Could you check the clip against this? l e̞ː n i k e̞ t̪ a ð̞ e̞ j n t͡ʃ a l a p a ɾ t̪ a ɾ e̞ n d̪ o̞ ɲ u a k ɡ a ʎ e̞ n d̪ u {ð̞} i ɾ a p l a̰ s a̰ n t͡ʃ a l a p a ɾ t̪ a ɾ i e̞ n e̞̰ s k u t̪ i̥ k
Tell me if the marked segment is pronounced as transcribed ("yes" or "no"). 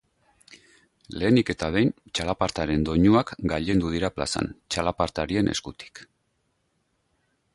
yes